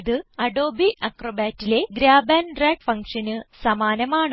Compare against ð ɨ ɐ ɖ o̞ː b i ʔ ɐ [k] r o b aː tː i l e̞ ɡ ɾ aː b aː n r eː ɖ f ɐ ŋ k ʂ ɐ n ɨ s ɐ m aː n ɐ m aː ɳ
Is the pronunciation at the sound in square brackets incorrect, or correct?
correct